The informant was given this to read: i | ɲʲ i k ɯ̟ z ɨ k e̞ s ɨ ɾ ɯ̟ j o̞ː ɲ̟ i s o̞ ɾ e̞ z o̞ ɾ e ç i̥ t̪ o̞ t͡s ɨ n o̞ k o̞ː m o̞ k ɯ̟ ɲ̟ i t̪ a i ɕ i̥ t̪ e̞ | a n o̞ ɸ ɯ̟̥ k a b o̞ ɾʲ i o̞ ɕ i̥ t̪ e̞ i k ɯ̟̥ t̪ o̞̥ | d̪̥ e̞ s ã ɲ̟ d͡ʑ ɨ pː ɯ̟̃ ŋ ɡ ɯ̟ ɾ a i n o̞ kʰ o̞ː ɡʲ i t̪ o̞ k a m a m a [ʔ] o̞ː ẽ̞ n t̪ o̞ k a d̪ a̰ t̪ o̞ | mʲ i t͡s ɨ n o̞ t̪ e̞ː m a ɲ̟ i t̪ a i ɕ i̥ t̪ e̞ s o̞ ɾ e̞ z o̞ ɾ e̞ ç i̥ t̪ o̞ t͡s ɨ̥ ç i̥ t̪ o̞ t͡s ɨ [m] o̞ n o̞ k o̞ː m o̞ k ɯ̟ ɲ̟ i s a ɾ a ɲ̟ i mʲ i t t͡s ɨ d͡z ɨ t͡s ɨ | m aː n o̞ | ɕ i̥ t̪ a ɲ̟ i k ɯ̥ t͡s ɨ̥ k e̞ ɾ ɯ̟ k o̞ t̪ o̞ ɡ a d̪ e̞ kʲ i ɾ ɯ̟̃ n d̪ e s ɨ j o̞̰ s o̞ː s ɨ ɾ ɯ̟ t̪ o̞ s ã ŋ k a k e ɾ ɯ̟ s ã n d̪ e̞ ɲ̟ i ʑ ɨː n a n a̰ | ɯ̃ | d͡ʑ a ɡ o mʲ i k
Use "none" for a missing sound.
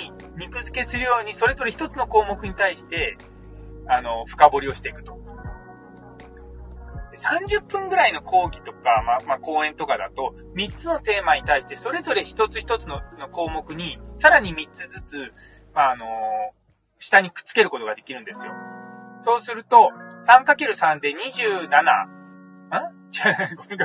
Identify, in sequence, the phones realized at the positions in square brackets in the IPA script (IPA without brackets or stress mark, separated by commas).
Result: k, n